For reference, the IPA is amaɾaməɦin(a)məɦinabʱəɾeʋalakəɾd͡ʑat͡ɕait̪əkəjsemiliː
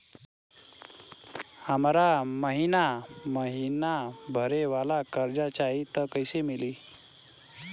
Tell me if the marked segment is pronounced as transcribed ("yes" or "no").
yes